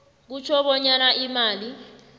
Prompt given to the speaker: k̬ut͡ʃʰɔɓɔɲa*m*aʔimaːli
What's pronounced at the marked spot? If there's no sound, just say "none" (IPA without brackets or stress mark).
n